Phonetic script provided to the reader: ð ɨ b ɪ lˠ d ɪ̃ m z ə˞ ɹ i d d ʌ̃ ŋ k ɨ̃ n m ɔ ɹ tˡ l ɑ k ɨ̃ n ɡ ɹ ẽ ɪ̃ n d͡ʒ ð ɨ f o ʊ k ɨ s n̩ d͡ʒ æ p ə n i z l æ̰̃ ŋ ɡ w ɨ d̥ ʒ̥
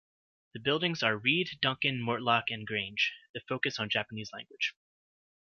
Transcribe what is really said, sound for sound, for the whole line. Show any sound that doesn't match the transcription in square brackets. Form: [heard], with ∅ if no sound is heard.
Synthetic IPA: ð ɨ b ɪ lˠ d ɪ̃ [ŋ] z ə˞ ɹ i d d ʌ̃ ŋ k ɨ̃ n m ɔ ɹ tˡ l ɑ k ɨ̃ n ɡ ɹ ẽ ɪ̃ n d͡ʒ ð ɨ f o ʊ k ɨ s n̩ d͡ʒ æ p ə n i z l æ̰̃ ŋ ɡ w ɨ d̥ ʒ̥